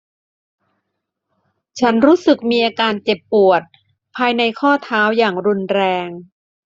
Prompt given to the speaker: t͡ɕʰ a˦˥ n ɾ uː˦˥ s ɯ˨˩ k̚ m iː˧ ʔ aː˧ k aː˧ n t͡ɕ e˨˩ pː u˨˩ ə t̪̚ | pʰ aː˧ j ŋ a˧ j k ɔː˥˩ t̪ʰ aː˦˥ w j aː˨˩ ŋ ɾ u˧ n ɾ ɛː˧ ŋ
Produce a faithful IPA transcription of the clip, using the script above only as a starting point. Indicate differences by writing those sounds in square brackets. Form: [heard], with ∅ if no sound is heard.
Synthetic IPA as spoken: t͡ɕʰ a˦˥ n ɾ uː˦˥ s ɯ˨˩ k̚ m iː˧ ʔ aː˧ k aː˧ n t͡ɕ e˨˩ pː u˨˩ ə t̪̚ | pʰ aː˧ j [n] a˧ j [kʰ] ɔː˥˩ t̪ʰ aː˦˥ w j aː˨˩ ŋ ɾ u˧ n ɾ ɛː˧ ŋ

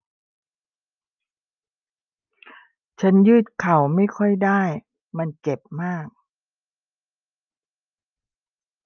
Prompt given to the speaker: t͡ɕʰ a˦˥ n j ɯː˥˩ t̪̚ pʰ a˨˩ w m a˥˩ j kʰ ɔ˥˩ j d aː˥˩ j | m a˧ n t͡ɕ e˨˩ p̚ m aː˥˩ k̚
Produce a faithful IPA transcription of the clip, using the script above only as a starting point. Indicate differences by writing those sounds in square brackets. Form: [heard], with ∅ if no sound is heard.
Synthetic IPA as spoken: t͡ɕʰ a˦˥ n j ɯː˥˩ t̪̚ [kʰ] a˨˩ w m a˥˩ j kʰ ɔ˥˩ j d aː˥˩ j | m a˧ n t͡ɕ e˨˩ p̚ m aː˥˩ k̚

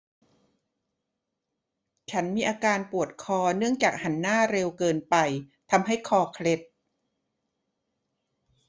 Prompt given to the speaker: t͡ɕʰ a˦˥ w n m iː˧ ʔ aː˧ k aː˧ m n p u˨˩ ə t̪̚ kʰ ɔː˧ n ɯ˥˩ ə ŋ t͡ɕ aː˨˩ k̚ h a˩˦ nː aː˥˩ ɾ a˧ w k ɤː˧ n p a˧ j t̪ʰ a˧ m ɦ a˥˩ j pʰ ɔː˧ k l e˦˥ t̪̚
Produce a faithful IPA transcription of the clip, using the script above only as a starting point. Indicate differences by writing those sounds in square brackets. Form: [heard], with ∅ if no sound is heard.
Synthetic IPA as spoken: t͡ɕʰ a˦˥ [∅] n m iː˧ ʔ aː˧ k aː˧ [∅] n p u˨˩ ə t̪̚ kʰ ɔː˧ n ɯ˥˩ ə ŋ t͡ɕ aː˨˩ k̚ h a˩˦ nː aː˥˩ ɾ [e˧] w k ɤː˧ n p a˧ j t̪ʰ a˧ m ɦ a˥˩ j [kʰ] ɔː˧ [kʰ] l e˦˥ t̪̚

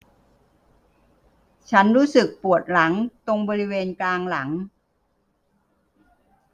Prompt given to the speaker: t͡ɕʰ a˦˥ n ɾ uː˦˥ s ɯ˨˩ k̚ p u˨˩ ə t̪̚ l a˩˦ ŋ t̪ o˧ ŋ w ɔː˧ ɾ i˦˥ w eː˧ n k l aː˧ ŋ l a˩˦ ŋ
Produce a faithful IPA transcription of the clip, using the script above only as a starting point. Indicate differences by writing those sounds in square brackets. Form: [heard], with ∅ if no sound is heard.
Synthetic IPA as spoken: t͡ɕʰ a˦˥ n ɾ uː˦˥ s ɯ˨˩ k̚ p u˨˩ ə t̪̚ l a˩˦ ŋ t̪ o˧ ŋ [b] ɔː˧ ɾ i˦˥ w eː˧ n k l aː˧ ŋ l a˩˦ ŋ

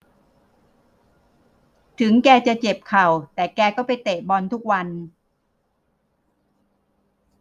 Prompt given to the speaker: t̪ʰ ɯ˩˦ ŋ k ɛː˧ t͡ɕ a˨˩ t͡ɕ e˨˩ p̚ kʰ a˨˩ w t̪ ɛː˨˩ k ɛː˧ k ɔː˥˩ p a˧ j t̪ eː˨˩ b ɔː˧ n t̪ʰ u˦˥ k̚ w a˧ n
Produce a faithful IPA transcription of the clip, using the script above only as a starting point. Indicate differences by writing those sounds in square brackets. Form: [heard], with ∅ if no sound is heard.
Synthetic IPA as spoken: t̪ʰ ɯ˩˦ ŋ k ɛː˧ t͡ɕ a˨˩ t͡ɕ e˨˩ p̚ kʰ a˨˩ w t̪ ɛː˨˩ k ɛː˧ k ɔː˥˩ p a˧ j t̪ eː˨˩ b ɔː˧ n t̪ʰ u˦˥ k̚ w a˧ n

